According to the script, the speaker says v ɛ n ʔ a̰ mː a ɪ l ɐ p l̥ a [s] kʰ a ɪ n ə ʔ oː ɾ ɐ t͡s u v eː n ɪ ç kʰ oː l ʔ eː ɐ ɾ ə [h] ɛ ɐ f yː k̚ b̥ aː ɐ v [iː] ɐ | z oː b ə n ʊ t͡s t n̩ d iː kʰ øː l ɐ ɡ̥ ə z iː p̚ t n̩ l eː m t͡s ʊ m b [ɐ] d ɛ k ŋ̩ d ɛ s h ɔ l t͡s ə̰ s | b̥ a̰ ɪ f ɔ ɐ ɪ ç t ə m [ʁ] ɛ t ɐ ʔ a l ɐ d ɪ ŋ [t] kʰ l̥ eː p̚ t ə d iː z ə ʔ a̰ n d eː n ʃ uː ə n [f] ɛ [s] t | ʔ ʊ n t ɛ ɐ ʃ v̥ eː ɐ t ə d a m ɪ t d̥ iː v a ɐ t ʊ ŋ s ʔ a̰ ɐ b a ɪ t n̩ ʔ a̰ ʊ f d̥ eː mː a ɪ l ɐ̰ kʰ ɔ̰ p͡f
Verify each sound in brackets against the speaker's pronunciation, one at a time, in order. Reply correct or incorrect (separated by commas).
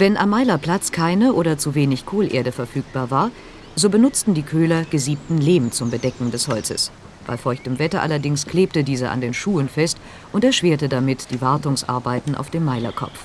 incorrect, incorrect, incorrect, incorrect, incorrect, incorrect, correct, correct